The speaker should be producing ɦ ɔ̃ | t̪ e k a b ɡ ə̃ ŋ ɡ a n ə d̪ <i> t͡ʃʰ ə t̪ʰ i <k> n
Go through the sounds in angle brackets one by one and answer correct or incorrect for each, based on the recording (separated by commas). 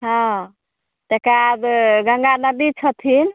correct, incorrect